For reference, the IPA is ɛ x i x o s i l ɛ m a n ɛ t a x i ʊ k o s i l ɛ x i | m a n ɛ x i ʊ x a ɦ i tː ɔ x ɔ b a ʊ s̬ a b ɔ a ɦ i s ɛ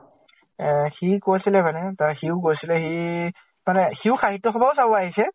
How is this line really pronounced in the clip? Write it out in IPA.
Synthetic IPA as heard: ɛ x i k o s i l ɛ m a n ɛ t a x i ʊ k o s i l ɛ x i | m a n ɛ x i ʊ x a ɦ i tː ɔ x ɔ b a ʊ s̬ a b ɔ a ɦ i s ɛ